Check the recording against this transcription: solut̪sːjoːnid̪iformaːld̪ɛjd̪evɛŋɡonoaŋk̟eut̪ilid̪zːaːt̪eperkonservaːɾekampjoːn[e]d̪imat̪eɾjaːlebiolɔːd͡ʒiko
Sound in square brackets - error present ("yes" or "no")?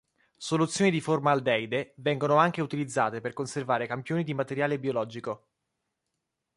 yes